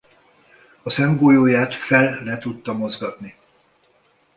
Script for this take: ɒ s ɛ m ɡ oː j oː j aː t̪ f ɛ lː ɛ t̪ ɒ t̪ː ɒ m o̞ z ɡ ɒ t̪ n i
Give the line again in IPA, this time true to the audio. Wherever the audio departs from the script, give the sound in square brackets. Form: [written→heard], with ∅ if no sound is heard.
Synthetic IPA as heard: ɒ s ɛ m ɡ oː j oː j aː t̪ f ɛ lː ɛ t̪ [ɒ→u] t̪ː ɒ m o̞ z ɡ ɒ t̪ n i